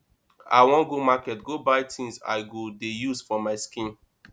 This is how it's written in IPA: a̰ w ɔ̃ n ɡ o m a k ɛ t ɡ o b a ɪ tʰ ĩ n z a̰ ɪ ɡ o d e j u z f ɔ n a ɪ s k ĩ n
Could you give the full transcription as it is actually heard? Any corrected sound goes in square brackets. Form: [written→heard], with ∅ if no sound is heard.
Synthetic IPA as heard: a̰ w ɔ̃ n ɡ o m a k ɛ t ɡ o b a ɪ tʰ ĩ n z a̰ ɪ ɡ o d e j u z f ɔ [n→m] a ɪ s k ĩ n